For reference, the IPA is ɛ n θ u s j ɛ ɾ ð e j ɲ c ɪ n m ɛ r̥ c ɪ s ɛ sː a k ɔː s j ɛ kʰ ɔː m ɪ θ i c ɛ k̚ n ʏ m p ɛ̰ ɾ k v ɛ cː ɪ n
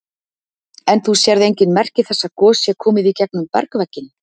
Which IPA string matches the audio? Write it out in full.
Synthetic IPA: ɛ n θ u s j ɛ ɾ ð e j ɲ c ɪ n m ɛ r̥ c ɪ θ ɛ sː a k ɔː s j ɛ kʰ ɔː m ɪ ð i c ɛ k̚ n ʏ m p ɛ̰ ɾ k v ɛ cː ɪ n

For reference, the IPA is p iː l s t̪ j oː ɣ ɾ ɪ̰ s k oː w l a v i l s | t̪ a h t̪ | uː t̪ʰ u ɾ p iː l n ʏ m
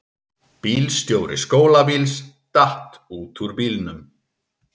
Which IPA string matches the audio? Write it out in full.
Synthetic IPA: p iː l s t̪ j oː w ɾ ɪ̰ s k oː w l a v i l s | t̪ a h t̪ | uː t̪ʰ u ɾ p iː l n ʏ m

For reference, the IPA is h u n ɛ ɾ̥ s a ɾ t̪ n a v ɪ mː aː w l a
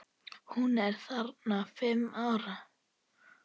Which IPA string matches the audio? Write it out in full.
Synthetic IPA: h u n ɛ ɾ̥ θ a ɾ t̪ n a f ɪ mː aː w ɾ a

